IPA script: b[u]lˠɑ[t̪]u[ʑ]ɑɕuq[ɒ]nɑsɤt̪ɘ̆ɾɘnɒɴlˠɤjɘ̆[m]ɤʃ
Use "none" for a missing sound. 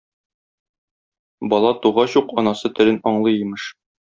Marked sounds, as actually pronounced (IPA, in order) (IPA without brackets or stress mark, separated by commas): ɒ, t̪, ʁ, ɒ, m